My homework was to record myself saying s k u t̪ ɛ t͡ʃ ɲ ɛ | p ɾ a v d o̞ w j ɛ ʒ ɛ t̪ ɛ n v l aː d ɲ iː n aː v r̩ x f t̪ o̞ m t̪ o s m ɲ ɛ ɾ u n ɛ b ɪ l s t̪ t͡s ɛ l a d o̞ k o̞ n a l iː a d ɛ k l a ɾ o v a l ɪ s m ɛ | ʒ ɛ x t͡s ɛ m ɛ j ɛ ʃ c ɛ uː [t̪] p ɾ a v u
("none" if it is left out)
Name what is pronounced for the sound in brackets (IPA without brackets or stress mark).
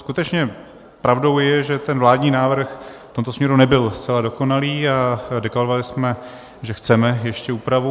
none